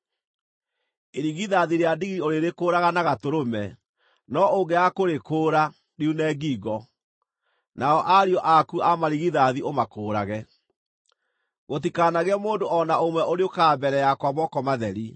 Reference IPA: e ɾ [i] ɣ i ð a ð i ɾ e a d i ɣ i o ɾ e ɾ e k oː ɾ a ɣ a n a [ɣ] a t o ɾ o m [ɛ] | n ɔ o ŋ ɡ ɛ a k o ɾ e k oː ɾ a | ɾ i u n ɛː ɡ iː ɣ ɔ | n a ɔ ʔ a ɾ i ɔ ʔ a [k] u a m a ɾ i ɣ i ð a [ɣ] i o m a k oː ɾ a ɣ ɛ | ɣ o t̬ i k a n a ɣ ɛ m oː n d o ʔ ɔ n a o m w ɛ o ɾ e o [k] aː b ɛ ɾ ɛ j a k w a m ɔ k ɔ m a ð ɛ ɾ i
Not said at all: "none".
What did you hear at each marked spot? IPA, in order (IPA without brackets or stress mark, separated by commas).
i, ɣ, ɛ, k, ð, k